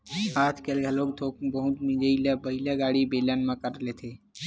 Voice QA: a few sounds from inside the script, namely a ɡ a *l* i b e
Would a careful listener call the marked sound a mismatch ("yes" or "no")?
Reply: yes